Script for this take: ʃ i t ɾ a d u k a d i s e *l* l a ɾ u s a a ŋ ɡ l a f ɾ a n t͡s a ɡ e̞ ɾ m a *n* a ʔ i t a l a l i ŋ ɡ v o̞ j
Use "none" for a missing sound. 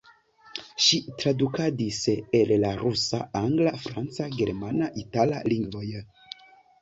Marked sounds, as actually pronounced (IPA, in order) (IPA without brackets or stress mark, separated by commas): l, n